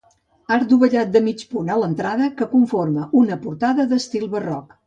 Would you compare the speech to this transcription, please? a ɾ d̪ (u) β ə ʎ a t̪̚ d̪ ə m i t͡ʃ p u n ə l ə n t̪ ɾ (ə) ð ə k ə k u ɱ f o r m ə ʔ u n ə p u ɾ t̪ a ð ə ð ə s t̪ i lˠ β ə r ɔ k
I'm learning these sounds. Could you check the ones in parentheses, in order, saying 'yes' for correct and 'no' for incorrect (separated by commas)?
yes, no